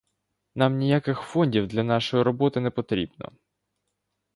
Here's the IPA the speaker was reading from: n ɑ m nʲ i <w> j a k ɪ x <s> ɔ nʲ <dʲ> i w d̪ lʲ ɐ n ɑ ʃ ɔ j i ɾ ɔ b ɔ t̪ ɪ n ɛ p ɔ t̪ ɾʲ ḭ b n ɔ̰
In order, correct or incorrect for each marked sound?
incorrect: none, incorrect: f, correct

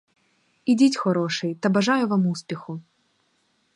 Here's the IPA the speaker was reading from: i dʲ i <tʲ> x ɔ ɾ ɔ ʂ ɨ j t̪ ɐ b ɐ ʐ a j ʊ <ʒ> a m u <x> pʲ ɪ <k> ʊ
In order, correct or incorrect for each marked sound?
correct, incorrect: v, incorrect: s, incorrect: x

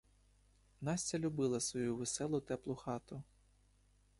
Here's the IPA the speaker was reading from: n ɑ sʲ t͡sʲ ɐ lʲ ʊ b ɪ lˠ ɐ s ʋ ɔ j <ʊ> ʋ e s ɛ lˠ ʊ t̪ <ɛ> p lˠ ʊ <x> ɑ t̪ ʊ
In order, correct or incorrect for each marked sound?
incorrect: u, correct, correct

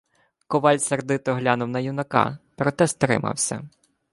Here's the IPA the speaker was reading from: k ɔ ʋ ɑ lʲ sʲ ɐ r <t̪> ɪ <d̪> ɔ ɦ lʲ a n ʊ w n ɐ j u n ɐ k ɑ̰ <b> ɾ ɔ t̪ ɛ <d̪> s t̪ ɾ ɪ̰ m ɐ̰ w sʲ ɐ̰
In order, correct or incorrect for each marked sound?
incorrect: d̪, incorrect: t̪, incorrect: p, incorrect: none

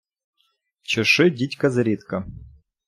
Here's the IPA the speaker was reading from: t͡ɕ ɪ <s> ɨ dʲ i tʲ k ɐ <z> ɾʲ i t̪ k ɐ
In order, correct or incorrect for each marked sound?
incorrect: ʂ, correct

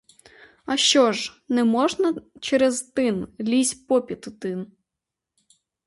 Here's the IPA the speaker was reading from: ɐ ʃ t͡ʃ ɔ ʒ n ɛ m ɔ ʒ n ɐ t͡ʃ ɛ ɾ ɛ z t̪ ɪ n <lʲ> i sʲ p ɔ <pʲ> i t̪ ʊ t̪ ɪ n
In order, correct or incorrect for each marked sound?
correct, correct

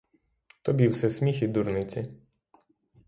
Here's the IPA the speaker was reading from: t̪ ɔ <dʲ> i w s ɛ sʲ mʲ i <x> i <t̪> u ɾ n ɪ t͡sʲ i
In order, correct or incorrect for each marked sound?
incorrect: bʲ, correct, incorrect: d̪

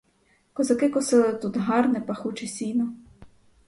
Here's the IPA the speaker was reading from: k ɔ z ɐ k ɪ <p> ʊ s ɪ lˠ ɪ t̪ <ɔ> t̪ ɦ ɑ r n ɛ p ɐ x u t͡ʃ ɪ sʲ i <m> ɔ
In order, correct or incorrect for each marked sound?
incorrect: k, incorrect: u, incorrect: n

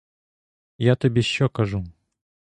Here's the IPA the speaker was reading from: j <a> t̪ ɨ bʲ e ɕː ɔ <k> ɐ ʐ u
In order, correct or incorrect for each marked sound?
correct, correct

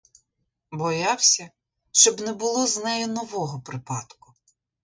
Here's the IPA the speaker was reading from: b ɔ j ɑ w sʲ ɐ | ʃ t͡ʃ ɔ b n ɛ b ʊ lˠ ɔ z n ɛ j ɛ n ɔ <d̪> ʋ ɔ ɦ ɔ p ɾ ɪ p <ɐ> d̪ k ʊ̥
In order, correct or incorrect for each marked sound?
incorrect: none, incorrect: ɑ

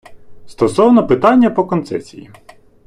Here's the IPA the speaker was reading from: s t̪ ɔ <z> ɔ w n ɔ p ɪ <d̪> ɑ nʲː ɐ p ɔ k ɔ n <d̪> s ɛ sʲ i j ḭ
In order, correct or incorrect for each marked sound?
incorrect: s, incorrect: t̪, incorrect: t̪

